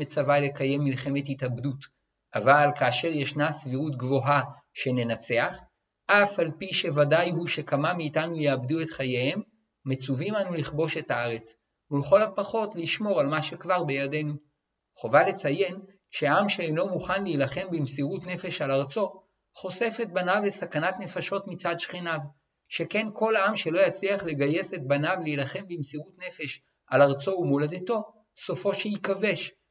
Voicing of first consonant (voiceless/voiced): voiceless